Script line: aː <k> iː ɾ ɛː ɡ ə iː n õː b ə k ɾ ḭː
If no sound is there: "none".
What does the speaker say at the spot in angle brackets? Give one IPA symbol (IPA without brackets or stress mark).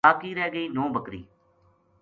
k